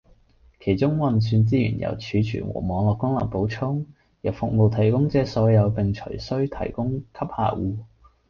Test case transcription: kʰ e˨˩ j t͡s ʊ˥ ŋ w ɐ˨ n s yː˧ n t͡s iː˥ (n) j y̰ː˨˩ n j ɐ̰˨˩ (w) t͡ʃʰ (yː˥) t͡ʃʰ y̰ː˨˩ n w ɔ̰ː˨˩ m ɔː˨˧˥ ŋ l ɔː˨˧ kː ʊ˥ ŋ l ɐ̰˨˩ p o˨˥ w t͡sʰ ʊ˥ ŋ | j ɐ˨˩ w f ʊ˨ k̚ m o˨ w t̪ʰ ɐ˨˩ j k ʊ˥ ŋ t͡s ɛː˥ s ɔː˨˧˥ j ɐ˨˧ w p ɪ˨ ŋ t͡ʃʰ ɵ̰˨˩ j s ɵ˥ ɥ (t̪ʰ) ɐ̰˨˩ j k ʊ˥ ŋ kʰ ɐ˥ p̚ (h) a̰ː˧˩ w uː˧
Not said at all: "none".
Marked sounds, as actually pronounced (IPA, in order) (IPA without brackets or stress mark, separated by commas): none, w, yː˨˧, t̪ʰ, h